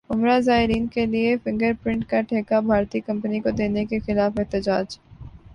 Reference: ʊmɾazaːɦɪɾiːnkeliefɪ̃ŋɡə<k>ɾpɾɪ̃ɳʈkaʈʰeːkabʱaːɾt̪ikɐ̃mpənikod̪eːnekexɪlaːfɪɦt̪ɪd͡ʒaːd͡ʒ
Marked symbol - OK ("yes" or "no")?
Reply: no